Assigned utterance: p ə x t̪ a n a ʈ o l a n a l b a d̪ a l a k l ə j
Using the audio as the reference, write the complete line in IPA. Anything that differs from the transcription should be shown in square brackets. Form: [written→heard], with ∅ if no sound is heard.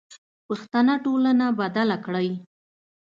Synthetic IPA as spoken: p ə x t̪ a n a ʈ o l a n a [l→∅] b a d̪ a l a k [l→ɽ] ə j